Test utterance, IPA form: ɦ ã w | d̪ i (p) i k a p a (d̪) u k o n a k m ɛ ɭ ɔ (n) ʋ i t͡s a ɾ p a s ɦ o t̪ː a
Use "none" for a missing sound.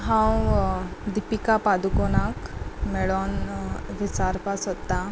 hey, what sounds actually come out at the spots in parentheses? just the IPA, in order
p, d̪, n

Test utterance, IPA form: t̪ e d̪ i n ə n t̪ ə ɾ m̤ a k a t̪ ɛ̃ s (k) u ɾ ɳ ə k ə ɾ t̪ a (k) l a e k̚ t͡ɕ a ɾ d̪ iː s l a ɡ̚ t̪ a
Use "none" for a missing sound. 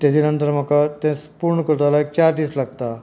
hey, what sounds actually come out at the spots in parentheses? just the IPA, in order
p, none

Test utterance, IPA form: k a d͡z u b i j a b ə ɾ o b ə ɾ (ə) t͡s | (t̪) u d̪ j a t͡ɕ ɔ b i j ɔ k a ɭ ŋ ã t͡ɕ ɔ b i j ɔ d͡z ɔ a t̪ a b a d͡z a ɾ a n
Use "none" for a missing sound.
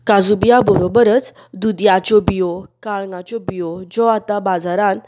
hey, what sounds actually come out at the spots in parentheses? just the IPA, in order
ə, d̪

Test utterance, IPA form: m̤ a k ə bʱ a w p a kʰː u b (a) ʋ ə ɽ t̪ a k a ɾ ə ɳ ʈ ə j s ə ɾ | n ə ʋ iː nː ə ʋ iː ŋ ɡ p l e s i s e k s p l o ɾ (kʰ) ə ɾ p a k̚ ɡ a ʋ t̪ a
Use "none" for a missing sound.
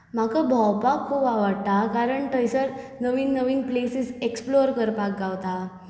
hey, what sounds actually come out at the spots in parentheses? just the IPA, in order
a, k

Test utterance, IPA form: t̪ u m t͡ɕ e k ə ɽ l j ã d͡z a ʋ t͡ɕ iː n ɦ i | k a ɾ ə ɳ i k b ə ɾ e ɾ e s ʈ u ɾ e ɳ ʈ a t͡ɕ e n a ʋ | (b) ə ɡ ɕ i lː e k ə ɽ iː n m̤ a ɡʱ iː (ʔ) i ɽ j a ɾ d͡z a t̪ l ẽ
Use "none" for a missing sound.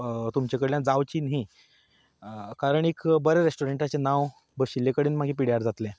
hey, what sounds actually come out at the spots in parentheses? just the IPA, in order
b, p

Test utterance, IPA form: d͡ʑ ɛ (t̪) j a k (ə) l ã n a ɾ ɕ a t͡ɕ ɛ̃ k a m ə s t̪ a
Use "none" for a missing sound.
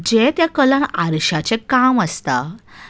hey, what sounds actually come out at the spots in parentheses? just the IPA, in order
t̪, ə

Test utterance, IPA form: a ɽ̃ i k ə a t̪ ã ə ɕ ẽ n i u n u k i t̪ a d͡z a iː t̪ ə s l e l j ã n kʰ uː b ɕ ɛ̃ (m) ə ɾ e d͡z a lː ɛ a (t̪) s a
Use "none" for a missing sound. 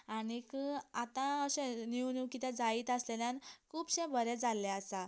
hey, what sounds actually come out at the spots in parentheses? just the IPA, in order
b, none

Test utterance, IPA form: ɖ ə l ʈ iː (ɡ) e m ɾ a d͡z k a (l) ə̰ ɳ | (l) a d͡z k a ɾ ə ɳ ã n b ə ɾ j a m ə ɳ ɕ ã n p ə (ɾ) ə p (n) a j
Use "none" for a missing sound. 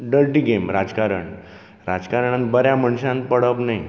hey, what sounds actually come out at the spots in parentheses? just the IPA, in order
ɡ, ɾ, ɾ, ɽ, n

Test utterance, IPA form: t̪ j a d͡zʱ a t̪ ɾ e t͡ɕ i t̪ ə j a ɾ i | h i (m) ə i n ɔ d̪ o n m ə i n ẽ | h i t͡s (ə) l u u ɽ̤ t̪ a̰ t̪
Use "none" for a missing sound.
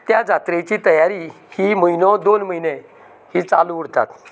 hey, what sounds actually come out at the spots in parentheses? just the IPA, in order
m, a

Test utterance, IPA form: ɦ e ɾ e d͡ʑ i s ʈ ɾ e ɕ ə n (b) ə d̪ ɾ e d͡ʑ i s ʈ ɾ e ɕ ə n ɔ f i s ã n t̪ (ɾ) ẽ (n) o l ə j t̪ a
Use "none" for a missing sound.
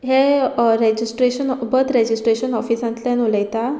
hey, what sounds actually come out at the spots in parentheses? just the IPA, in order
b, l, n

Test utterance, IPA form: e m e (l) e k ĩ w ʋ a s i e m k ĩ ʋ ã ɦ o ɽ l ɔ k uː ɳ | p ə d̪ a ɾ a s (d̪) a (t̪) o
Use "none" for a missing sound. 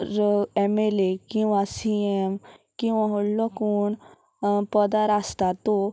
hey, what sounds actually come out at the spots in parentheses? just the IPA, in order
l, t̪, t̪

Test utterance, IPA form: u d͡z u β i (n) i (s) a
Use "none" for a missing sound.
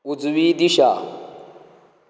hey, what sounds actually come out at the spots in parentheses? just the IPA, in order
d, ʃ

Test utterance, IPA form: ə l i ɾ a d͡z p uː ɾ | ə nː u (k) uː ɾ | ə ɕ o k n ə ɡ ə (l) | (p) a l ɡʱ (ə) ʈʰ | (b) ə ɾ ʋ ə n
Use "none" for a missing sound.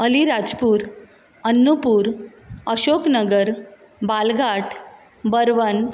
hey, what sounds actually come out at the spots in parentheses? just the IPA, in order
p, ɾ, b, a, b

